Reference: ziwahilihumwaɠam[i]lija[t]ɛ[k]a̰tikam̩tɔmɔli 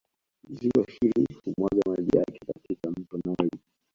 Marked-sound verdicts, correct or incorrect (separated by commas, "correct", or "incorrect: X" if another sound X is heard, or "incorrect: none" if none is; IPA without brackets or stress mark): incorrect: a, incorrect: k, correct